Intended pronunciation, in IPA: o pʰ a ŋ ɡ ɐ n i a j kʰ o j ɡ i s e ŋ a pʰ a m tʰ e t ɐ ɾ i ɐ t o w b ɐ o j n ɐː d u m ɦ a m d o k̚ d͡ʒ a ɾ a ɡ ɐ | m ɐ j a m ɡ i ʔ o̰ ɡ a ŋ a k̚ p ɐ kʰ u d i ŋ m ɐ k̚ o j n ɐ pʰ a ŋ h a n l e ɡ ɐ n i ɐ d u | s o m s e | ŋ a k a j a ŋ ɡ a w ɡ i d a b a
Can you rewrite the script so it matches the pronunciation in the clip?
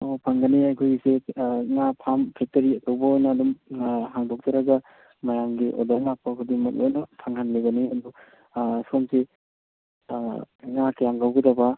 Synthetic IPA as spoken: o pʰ a ŋ ɡ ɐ n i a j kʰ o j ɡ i s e ŋ a pʰ a m pʰ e t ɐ ɾ i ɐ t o w b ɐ o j n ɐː d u m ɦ a ŋ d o k̚ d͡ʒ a ɾ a ɡ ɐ | m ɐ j a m ɡ i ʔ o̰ d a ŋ a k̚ p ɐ kʰ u d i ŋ m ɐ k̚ o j n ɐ pʰ a ŋ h a n l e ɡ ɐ n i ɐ d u | s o m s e | ŋ a k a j a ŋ ɡ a w ɡ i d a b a